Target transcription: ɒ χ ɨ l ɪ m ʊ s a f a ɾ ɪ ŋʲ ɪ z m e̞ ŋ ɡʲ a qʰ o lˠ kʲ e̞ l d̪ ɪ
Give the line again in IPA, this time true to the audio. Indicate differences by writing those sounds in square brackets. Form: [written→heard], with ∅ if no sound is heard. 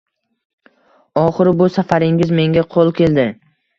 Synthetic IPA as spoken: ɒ χ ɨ [l→ɾ] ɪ [m→b] ʊ s a f a ɾ ɪ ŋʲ ɪ z m e̞ ŋ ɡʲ a qʰ o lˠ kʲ e̞ l d̪ ɪ